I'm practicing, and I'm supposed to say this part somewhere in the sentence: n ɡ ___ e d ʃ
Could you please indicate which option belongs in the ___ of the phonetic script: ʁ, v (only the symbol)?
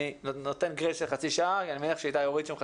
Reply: ʁ